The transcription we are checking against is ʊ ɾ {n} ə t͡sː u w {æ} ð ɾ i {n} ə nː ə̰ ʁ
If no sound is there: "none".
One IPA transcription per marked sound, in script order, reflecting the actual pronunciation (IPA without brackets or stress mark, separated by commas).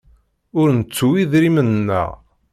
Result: n, i, m